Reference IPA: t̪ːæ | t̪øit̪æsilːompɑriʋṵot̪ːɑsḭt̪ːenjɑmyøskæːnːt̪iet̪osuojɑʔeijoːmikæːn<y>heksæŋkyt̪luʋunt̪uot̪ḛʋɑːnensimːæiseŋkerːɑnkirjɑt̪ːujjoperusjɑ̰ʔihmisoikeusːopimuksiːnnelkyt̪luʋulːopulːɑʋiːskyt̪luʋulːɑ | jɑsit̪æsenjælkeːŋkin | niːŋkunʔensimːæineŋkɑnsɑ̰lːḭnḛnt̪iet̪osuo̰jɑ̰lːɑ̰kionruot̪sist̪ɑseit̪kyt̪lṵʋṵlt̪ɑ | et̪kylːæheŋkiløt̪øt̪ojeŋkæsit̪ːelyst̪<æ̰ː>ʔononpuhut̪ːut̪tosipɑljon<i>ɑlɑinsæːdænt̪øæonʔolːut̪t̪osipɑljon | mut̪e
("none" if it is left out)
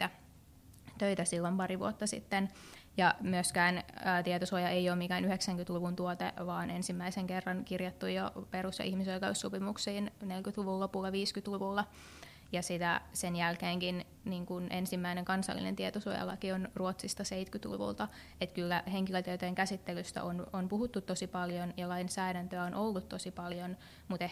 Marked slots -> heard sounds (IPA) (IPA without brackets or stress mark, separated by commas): y, æ̰, j